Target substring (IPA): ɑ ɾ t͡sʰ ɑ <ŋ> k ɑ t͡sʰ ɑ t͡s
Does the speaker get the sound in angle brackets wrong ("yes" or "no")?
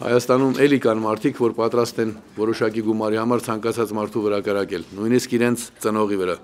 no